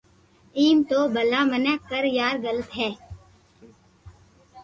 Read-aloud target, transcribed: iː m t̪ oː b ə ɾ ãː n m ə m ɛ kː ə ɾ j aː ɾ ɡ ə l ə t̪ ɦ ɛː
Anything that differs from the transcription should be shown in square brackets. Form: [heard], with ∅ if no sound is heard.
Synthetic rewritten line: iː m t̪ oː b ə [l] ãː [∅] m ə [n] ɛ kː ə ɾ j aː ɾ ɡ ə l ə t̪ ɦ ɛː